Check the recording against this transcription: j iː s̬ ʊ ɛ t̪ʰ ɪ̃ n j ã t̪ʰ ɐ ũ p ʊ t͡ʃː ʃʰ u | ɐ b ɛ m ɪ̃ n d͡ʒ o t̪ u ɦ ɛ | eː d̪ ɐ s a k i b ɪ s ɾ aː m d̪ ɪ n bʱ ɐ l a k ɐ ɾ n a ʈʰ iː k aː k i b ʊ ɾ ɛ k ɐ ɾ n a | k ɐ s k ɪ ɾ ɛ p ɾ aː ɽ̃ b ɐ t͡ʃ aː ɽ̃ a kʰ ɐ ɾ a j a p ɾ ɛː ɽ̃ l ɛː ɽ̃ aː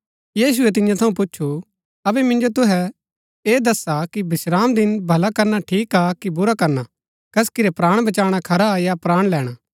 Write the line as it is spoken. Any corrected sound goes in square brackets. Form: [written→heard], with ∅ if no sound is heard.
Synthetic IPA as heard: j iː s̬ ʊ ɛ [t̪ʰ→t̪] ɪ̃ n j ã t̪ʰ ɐ ũ p ʊ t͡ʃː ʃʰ u | ɐ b ɛ m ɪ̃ n d͡ʒ o t̪ [u→ʊ] ɦ ɛ | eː d̪ ɐ s a k i b ɪ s ɾ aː m d̪ ɪ n bʱ ɐ l a k ɐ ɾ n a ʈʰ iː k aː k i b ʊ ɾ [ɛ→a] k ɐ ɾ n a | k ɐ s k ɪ ɾ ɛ p ɾ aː ɽ̃ b ɐ t͡ʃ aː ɽ̃ a kʰ ɐ ɾ a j a p ɾ [ɛː→aː] ɽ̃ l ɛː ɽ̃ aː